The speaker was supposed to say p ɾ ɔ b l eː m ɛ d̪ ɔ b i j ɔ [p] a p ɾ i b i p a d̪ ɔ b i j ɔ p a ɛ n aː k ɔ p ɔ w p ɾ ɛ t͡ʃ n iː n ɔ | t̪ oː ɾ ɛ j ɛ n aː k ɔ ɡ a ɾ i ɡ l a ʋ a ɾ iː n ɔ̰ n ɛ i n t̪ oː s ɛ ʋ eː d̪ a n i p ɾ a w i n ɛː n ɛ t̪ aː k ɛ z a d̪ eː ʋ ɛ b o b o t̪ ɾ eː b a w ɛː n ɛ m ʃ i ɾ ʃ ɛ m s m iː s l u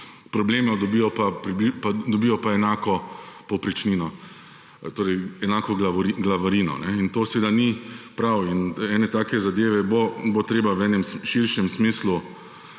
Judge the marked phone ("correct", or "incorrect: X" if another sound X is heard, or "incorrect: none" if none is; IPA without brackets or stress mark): correct